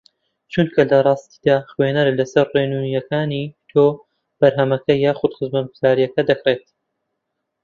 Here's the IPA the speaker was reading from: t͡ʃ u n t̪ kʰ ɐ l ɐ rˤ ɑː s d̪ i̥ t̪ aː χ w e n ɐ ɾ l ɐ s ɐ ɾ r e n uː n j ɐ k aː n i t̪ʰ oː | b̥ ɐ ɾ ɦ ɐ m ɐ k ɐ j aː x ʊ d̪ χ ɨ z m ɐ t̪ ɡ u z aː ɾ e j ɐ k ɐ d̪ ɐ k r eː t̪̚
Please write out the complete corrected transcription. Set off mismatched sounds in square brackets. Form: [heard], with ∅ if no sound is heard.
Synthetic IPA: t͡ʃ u n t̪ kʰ ɐ l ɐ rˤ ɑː s [t̪] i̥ [d̪] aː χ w e n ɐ ɾ l ɐ s ɐ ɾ r e n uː n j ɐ k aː n i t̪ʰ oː | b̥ ɐ ɾ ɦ ɐ m ɐ k ɐ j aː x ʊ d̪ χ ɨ z m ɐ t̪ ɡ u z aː ɾ [i] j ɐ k ɐ d̪ ɐ k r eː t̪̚